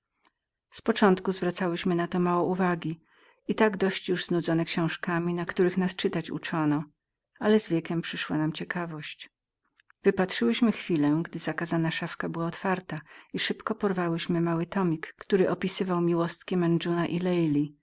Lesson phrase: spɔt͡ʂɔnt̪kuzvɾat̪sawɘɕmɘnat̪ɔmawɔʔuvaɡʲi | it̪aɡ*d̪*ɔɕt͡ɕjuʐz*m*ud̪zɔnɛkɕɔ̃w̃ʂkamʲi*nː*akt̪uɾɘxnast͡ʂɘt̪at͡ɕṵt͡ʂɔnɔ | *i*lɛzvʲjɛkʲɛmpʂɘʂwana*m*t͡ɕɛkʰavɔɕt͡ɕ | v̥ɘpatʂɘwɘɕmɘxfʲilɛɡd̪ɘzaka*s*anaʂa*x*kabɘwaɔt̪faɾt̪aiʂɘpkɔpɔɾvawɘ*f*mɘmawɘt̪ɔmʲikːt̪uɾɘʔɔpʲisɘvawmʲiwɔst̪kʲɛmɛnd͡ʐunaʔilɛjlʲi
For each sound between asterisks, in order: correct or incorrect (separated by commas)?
correct, incorrect, incorrect, incorrect, correct, incorrect, incorrect, incorrect